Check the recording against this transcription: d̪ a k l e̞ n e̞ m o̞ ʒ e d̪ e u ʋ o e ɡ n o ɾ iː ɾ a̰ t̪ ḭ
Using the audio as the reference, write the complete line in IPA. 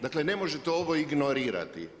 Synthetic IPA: d̪ a k l e̞ n e̞ m o̞ ʒ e t̪ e o ʋ o i ɡ n o ɾ iː ɾ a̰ t̪ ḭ